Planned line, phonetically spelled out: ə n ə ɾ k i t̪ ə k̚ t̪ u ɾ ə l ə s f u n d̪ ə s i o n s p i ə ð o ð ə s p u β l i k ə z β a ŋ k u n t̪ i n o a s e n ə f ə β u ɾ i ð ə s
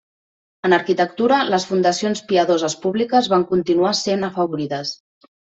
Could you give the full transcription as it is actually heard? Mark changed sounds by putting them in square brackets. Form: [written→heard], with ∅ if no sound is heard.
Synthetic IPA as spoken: ə n ə ɾ k i t̪ ə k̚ t̪ u ɾ ə l ə s f u n d̪ ə s i o n s p i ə ð o [ð→z] ə s p u β l i k ə z β a ŋ k u n t̪ i n [o→u] a s e n ə f ə β u ɾ i ð ə s